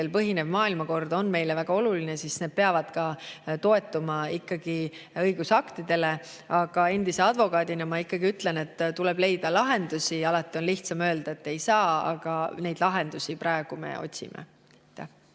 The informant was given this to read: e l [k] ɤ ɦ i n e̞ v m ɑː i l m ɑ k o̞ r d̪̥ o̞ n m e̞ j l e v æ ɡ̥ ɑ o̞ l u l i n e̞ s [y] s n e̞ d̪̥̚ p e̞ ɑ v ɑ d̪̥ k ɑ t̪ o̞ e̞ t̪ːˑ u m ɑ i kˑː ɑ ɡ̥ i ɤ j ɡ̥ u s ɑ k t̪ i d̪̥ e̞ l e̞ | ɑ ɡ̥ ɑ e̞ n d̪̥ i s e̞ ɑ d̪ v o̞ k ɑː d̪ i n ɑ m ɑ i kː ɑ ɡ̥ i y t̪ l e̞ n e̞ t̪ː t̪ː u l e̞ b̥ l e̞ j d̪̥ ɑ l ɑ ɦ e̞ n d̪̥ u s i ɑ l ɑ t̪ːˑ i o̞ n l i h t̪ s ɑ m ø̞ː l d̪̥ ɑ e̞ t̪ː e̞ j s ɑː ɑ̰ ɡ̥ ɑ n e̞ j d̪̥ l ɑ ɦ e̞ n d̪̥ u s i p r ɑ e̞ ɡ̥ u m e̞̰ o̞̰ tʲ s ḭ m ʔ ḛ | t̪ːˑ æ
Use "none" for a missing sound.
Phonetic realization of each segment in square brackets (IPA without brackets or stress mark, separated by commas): p, i